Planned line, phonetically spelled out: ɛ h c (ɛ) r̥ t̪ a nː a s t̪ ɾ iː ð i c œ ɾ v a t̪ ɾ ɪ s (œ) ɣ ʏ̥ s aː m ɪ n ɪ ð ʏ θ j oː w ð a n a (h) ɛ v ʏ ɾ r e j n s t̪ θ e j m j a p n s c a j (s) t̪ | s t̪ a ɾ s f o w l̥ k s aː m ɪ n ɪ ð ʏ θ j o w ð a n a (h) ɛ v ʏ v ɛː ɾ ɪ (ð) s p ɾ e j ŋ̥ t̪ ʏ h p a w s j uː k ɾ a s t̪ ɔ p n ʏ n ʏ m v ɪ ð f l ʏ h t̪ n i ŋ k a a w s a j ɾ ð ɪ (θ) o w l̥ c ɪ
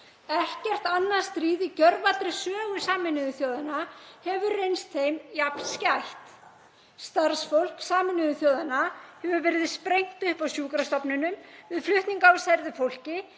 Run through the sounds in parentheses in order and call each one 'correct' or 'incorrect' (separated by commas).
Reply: correct, incorrect, correct, incorrect, correct, correct, incorrect